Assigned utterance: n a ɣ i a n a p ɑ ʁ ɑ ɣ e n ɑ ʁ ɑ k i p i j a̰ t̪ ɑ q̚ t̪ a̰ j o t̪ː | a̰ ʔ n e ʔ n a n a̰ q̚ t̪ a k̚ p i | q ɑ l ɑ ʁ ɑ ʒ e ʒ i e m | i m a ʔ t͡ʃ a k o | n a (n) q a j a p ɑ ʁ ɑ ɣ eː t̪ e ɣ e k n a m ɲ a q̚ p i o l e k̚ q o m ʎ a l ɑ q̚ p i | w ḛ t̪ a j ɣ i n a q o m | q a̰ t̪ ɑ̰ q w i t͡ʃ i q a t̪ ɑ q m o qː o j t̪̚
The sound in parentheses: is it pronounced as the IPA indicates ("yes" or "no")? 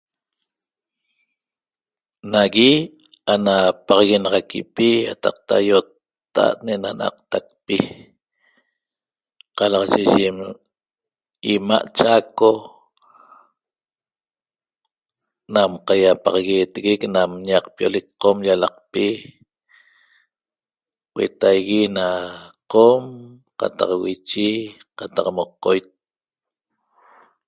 no